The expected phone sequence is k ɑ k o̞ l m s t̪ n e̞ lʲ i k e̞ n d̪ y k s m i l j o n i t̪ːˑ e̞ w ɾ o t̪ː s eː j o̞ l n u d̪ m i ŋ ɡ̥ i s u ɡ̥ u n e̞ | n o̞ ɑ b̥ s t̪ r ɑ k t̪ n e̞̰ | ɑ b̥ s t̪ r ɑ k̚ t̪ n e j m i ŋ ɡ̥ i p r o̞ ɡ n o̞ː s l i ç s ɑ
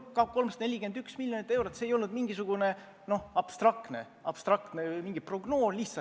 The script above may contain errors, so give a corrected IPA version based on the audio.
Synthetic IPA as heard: k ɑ k o̞ l m s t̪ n e̞ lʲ i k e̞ n d̪ y k s m i l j o n i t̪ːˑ e̞ w ɾ o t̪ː s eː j o̞ l n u d̪ m i ŋ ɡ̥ i s u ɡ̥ u n e̞ | n o̞ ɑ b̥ s t̪ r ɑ k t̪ n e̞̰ | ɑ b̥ s t̪ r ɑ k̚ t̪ n e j m i ŋ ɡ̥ i p r o̞ ɡ n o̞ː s l i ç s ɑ